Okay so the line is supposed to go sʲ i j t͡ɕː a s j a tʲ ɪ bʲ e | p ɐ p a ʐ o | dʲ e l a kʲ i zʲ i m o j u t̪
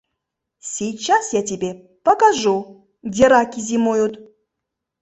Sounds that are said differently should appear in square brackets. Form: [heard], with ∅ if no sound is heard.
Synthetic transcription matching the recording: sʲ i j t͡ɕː a s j a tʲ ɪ bʲ e | p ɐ [k] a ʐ [u] | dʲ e [ɾ] a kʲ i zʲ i m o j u t̪